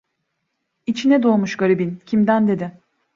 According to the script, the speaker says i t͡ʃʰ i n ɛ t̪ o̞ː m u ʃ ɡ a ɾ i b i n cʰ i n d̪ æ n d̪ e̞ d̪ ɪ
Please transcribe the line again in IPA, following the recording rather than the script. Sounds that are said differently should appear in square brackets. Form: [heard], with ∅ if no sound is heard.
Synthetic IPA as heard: i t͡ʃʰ i n ɛ [d̪] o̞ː m u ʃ ɡ a ɾ i b i n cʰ i [m] d̪ æ n d̪ e̞ d̪ ɪ